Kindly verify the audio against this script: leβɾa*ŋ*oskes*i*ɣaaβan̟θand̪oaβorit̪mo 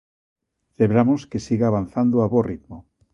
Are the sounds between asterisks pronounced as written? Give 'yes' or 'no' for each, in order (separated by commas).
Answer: no, yes